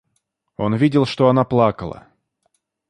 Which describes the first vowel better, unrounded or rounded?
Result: rounded